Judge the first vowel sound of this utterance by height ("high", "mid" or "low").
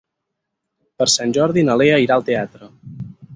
mid